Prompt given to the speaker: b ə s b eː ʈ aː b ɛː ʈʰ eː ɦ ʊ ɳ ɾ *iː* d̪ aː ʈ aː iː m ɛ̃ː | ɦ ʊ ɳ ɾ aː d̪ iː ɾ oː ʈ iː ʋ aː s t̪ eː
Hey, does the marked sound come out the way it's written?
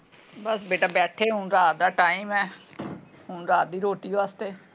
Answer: no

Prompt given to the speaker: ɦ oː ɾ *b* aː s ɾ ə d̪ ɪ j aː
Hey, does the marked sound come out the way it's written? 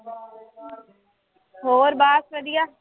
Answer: yes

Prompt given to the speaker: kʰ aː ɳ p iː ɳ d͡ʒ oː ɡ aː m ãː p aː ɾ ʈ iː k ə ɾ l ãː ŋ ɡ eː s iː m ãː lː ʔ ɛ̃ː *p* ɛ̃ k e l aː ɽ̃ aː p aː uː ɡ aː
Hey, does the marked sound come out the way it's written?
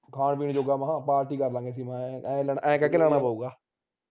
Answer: no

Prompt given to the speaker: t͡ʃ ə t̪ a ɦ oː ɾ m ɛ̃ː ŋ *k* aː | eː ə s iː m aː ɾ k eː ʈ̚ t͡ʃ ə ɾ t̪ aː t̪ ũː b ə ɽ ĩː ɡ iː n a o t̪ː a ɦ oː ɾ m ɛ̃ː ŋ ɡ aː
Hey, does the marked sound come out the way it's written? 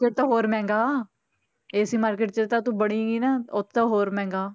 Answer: no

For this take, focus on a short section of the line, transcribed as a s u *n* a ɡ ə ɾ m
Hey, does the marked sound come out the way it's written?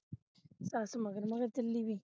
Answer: no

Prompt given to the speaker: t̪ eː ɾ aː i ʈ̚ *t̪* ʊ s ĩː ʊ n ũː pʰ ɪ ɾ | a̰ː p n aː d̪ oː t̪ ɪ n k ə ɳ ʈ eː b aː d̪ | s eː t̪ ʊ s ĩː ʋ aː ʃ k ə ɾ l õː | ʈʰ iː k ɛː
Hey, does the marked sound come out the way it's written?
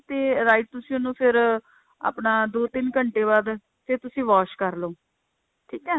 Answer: yes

